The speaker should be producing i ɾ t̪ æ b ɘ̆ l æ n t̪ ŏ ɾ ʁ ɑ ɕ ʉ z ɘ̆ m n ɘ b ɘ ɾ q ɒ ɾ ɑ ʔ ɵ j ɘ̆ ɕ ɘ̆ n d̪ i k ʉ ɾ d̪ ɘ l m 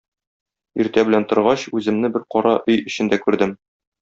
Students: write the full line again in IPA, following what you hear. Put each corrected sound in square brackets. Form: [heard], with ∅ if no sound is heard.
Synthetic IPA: i ɾ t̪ æ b ɘ̆ l æ n t̪ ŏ ɾ ʁ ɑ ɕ ʉ z ɘ̆ m n ɘ b ɘ ɾ q ɒ ɾ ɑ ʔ ɵ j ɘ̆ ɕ ɘ̆ n d̪ [æ] k ʉ ɾ d̪ ɘ [∅] m